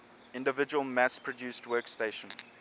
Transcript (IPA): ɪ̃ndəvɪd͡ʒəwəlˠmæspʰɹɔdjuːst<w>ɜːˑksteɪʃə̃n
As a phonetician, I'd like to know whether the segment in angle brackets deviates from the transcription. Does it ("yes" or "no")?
no